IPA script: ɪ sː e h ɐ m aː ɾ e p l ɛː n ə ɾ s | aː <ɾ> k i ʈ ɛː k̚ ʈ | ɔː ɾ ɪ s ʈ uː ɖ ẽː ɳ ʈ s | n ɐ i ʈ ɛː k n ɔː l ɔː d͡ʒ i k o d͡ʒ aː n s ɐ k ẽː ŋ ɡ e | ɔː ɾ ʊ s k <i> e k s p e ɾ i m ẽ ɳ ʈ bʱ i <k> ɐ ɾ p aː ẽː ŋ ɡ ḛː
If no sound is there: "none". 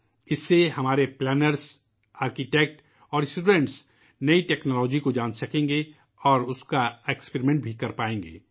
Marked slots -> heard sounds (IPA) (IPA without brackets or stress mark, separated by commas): ɾ, a, k